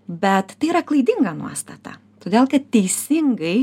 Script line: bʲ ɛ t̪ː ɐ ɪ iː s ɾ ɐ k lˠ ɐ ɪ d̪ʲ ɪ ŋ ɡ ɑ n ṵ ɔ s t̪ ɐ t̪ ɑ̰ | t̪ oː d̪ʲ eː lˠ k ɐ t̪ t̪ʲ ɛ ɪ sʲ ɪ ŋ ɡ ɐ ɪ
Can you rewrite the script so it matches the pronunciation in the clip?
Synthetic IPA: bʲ ɛ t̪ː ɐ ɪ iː ɾ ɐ k lˠ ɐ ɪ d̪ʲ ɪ ŋ ɡ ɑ n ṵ ɔ s t̪ ɐ t̪ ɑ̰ | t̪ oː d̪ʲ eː lˠ k ɐ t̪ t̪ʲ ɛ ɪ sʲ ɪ ŋ ɡ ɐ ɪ